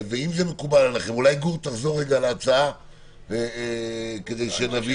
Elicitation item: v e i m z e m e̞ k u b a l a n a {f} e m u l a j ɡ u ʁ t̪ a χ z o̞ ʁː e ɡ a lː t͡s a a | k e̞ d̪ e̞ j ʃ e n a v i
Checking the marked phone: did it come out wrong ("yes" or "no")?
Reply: yes